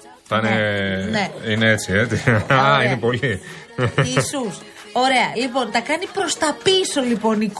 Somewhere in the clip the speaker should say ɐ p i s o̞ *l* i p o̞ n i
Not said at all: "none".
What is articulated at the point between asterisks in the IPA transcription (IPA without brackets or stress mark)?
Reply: l